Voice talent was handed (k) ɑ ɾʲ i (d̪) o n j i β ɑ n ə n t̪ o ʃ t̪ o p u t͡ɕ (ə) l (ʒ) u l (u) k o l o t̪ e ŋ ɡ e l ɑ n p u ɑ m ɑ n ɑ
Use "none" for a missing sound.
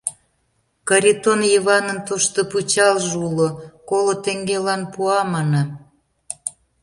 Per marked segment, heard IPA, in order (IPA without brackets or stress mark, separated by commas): k, t̪, ɑ, ʒ, o